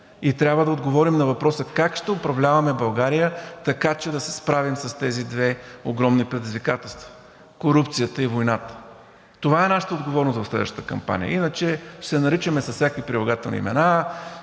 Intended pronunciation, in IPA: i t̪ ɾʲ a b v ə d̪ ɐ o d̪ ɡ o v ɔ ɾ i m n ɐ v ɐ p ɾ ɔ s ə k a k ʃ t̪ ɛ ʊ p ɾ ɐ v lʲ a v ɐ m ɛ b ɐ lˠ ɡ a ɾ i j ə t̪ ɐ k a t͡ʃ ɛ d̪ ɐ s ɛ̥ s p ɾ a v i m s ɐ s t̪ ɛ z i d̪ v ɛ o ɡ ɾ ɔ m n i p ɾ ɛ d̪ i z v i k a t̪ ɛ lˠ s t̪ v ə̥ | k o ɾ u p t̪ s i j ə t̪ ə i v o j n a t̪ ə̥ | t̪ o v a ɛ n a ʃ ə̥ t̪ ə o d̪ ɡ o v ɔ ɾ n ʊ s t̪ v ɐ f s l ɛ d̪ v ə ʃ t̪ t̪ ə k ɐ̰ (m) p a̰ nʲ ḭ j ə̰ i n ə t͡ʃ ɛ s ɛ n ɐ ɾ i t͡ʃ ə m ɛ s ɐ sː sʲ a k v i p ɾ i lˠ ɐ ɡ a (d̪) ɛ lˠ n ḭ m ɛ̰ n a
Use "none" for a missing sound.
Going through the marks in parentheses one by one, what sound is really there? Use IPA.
m, t̪

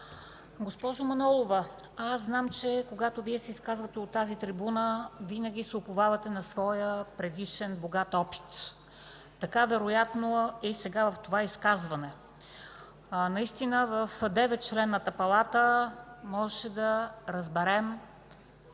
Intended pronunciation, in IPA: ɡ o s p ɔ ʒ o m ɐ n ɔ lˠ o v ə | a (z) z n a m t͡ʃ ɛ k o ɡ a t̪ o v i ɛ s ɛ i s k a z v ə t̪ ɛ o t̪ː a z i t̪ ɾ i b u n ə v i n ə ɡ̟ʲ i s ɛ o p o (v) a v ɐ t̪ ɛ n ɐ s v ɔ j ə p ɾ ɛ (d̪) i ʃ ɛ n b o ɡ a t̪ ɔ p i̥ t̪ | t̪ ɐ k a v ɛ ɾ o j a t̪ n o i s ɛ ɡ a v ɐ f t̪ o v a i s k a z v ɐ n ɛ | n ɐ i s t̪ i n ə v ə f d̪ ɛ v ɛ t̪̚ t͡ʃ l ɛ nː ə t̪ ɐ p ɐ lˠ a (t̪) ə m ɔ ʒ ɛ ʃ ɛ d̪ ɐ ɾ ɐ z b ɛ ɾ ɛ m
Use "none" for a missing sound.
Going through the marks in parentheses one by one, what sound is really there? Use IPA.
s, v, d̪, t̪

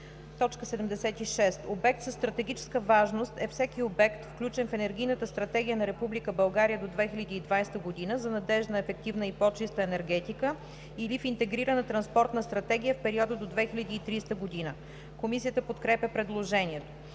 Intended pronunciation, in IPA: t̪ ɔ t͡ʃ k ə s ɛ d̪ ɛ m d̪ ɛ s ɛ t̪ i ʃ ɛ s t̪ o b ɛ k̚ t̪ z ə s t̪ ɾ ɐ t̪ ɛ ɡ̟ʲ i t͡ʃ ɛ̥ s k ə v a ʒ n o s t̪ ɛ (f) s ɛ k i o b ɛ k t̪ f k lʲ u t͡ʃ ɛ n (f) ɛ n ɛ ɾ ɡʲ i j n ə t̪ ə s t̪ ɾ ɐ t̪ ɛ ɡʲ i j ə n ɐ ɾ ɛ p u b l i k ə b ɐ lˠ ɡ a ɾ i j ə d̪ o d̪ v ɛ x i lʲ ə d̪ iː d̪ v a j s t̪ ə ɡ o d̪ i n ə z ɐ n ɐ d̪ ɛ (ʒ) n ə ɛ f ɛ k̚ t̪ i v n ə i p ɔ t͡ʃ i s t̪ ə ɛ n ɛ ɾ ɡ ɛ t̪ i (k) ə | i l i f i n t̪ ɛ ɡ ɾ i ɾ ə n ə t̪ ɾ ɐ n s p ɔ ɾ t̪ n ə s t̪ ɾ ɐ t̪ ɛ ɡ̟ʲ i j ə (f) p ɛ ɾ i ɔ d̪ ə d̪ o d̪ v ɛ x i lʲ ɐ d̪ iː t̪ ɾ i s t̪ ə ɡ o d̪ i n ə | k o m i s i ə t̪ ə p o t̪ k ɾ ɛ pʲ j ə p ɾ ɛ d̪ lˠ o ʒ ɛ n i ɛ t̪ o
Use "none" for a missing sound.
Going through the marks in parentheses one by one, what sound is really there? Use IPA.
f, f, ʒ, k, f

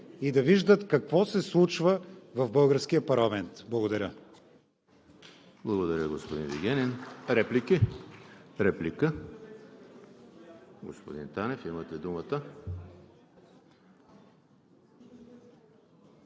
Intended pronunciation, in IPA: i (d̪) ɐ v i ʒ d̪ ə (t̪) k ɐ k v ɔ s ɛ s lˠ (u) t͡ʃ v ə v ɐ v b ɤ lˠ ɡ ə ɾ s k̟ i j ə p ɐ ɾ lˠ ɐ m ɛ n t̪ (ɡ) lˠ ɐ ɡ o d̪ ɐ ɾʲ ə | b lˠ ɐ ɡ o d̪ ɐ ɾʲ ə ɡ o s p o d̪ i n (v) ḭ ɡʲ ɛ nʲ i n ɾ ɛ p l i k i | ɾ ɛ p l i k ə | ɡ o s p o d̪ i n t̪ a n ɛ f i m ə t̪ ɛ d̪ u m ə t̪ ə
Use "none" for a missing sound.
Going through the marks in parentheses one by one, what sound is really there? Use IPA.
d̪, t̪, u, b, v

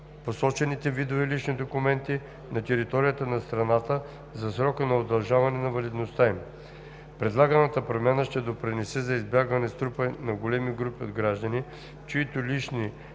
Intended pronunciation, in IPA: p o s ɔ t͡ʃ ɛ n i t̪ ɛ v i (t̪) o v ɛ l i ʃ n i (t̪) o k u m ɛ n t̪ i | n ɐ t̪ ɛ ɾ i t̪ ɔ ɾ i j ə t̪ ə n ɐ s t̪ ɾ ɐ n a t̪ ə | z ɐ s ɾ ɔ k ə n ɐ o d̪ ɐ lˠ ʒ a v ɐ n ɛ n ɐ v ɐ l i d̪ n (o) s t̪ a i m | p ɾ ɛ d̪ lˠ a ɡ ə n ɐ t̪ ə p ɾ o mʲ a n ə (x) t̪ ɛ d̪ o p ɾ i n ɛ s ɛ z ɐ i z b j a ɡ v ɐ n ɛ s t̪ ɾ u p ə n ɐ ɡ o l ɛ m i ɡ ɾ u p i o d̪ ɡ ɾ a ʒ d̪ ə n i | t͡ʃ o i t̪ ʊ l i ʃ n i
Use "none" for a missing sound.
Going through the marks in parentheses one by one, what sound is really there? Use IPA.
d̪, d̪, o, ʃ

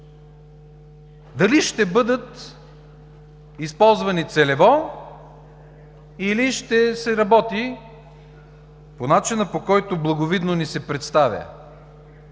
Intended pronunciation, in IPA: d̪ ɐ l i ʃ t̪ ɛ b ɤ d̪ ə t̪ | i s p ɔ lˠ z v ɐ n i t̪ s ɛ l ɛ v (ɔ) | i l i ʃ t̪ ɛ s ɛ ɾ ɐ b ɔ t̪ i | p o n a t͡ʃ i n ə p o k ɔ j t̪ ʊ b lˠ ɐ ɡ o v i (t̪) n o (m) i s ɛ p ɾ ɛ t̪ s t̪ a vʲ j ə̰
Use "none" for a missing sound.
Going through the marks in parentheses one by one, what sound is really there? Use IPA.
ɔ, d̪, n

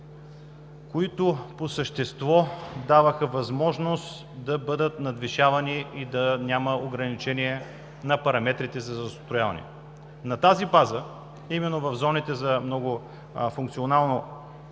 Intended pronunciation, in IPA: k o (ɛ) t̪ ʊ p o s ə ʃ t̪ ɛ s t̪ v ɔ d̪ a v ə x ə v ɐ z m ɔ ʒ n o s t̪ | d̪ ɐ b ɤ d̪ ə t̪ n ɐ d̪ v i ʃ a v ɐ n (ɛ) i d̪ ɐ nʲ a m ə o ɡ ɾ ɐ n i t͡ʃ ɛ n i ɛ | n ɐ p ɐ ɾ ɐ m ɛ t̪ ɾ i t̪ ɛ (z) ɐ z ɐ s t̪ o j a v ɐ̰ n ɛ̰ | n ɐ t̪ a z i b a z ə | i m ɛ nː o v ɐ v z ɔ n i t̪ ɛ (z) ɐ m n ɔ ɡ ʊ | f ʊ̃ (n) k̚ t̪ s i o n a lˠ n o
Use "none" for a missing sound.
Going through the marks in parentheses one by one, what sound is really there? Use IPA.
i, i, z, z, ŋ

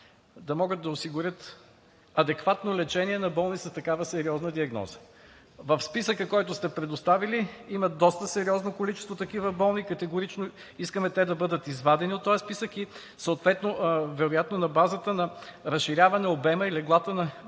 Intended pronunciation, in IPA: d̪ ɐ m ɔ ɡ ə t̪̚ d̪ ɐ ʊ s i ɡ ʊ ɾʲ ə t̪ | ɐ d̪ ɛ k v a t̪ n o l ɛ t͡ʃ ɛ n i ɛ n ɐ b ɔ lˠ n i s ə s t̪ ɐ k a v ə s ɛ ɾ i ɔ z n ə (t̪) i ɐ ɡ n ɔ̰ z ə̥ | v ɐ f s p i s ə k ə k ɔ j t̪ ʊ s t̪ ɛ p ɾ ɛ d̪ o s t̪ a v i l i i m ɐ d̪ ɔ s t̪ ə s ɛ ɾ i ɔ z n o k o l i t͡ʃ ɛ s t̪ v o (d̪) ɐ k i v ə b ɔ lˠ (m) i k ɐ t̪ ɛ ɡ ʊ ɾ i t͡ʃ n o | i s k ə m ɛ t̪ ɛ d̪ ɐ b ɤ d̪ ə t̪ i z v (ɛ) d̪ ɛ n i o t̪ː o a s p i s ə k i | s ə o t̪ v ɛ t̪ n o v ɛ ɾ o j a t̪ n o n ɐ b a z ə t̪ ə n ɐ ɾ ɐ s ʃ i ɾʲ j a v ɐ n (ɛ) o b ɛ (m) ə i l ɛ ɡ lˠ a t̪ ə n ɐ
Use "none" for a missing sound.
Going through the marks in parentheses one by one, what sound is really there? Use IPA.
d̪, t̪, n, a, ɛ, m

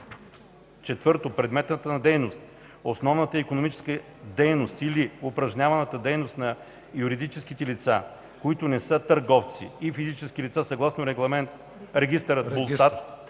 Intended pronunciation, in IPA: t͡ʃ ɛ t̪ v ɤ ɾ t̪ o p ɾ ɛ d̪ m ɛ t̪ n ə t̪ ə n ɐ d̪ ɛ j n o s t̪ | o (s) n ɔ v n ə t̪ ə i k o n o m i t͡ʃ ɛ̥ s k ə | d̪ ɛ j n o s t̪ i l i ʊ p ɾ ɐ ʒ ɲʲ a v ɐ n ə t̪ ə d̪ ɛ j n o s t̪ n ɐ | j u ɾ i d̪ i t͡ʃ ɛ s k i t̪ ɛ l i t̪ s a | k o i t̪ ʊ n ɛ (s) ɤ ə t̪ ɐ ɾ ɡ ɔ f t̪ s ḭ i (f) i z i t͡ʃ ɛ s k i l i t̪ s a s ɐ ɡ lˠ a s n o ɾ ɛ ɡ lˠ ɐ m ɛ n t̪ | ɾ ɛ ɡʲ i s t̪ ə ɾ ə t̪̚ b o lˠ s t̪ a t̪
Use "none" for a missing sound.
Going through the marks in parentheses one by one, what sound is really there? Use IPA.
s, s, f

